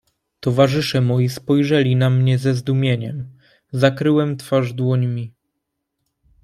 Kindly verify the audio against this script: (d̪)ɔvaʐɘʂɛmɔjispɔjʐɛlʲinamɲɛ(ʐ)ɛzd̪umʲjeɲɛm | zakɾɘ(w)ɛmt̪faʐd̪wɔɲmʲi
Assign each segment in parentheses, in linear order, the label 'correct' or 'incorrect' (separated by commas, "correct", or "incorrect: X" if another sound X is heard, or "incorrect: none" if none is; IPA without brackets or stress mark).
incorrect: t̪, incorrect: z, correct